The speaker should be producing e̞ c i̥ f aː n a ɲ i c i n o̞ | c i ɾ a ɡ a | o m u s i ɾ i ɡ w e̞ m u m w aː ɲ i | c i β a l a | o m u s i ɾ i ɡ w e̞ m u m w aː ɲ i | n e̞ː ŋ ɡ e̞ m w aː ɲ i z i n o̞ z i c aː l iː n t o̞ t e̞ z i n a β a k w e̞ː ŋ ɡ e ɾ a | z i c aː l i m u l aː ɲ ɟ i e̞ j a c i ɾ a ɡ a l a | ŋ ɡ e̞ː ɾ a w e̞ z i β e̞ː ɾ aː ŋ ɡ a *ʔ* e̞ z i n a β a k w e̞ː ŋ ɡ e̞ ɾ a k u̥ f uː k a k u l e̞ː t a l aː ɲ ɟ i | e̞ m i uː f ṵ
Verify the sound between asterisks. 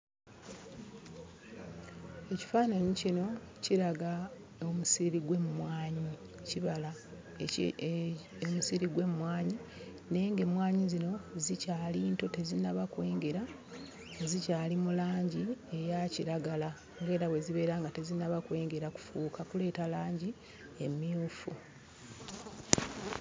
incorrect: t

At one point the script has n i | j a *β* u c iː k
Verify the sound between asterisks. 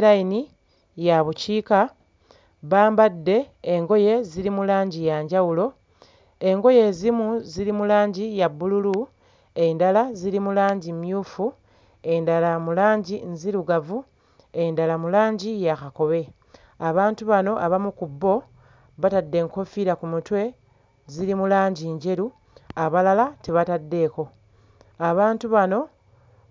correct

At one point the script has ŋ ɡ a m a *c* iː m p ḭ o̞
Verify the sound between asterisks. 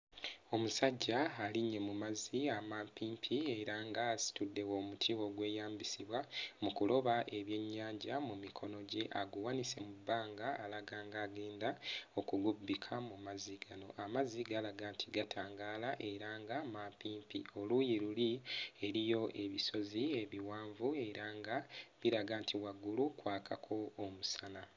incorrect: p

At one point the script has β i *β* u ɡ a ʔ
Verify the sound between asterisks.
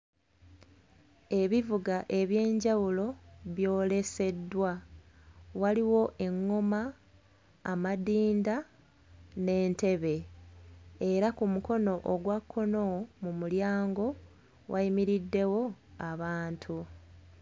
incorrect: v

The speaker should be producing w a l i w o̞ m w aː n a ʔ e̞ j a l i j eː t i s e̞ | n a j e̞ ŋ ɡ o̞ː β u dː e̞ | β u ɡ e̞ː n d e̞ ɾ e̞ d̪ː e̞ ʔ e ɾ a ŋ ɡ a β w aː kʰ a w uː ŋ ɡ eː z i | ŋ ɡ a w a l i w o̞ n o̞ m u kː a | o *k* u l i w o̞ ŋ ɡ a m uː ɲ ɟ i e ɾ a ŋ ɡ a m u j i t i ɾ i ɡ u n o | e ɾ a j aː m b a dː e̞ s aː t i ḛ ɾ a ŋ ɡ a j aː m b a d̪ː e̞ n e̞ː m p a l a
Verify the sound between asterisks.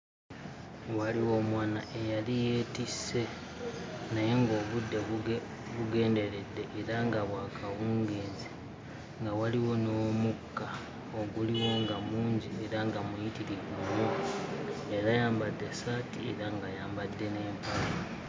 incorrect: ɡ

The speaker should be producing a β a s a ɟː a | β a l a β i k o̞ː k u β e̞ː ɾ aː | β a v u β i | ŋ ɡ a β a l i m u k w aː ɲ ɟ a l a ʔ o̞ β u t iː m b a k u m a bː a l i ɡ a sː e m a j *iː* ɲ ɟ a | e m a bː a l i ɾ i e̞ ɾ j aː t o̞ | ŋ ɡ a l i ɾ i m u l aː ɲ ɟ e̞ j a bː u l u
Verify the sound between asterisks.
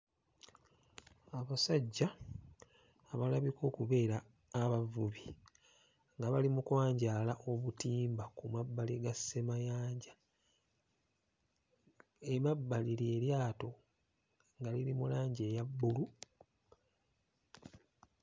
incorrect: aː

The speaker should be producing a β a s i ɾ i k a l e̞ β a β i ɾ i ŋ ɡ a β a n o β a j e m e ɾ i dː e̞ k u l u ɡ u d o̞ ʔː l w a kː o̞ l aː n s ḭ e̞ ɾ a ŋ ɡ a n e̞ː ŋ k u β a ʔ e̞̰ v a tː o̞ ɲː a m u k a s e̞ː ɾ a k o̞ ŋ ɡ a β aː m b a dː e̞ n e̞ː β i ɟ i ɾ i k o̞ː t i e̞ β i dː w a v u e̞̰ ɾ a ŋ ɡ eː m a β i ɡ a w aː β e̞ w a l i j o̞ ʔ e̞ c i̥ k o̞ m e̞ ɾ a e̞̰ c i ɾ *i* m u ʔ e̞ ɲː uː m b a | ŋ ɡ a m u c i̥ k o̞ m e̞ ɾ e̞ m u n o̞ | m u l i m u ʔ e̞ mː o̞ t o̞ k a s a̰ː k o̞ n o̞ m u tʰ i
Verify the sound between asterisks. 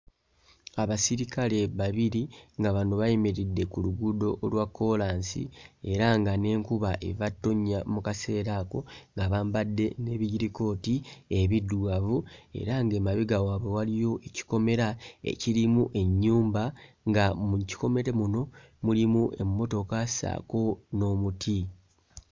correct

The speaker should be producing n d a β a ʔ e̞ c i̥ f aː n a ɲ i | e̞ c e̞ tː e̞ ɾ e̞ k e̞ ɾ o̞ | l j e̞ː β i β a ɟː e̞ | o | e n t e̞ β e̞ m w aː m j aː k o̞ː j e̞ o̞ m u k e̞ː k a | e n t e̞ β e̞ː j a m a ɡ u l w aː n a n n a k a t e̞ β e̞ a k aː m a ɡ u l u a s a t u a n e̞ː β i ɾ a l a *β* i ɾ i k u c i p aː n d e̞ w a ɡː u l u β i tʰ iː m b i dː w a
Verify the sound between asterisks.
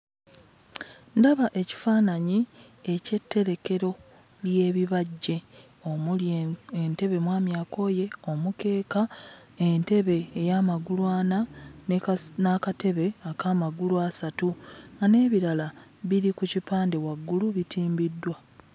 correct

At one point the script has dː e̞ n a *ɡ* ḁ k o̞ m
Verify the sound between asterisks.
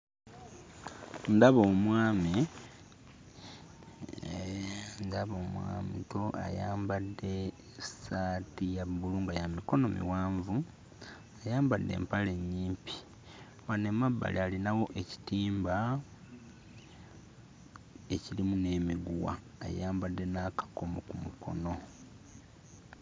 incorrect: k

